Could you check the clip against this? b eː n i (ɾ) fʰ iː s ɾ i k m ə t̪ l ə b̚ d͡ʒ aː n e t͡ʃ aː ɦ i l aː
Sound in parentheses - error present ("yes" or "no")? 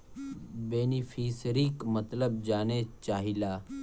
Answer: yes